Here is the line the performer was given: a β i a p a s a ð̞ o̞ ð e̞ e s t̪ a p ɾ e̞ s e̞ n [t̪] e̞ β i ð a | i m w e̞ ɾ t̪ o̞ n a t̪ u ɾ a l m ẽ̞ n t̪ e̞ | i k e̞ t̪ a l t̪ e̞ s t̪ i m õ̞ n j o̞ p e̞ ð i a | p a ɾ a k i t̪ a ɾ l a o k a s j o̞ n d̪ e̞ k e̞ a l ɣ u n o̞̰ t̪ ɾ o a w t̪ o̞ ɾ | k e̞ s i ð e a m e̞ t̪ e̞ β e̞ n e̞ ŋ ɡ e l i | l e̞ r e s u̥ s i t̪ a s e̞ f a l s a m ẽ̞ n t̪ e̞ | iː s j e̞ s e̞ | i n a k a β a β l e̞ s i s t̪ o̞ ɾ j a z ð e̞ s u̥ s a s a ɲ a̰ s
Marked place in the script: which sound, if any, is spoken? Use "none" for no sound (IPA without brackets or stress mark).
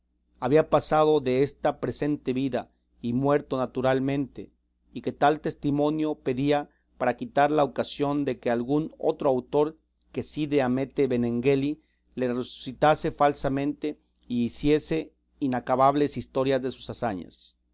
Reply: t̪